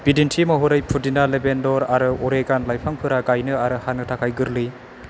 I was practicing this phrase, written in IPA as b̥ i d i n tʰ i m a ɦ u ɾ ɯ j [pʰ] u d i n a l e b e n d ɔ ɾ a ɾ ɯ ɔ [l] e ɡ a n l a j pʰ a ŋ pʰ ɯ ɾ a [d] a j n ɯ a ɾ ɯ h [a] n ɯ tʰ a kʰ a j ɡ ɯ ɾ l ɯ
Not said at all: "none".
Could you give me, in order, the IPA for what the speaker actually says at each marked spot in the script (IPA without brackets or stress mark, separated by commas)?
pʰ, ɾ, ɡ, a